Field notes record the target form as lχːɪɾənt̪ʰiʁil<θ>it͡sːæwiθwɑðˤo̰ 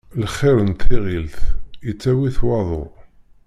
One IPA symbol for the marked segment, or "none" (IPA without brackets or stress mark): θ